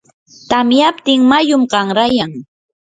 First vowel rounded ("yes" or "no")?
no